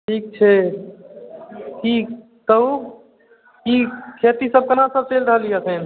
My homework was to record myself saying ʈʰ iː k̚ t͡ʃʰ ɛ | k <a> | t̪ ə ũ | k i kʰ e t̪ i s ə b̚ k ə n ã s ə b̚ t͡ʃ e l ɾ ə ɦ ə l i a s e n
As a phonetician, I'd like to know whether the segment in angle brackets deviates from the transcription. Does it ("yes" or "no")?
yes